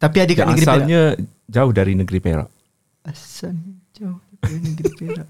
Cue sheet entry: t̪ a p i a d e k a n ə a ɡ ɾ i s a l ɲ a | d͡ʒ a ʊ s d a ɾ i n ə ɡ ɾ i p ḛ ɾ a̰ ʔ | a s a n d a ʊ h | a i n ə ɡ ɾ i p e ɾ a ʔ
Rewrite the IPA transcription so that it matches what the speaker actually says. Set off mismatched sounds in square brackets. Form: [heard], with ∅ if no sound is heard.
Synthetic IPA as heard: t̪ a p i a d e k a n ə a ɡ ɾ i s a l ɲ a | d͡ʒ a ʊ [h] d a ɾ i n ə ɡ ɾ i p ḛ ɾ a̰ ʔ | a s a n [d͡ʒ] a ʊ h | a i n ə ɡ ɾ i p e ɾ a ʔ